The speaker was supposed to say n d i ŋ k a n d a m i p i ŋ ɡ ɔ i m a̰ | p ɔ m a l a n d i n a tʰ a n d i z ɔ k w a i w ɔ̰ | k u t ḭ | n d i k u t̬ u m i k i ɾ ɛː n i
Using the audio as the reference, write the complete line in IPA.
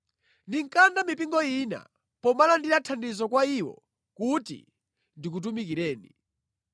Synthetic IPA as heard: n d i ŋ k a n d a m i p i ŋ ɡ ɔ i n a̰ | p ɔ m a l a n d i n a tʰ a n d i z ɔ k w a i w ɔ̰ | k u t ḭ | n d i k u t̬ u m i k i ɾ ɛː n i